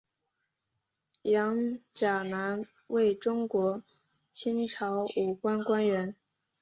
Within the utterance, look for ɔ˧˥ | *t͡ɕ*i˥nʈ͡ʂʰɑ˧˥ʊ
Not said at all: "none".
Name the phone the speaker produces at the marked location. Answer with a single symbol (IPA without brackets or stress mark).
t͡ɕʰ